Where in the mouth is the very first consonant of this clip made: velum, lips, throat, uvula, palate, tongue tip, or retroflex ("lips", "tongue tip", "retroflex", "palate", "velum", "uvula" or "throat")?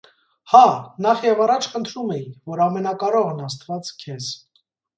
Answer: throat